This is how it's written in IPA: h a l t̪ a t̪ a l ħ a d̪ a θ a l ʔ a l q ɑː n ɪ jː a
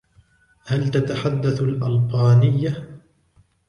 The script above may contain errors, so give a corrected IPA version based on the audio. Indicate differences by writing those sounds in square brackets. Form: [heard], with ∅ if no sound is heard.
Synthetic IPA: h a l t̪ a t̪ a [∅] ħ a [d̪ː] a θ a l ʔ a l q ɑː n ɪ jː a